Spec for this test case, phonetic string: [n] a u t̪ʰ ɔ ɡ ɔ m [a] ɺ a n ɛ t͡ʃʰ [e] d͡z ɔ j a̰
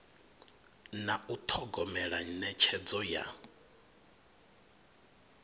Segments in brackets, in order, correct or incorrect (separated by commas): correct, incorrect, incorrect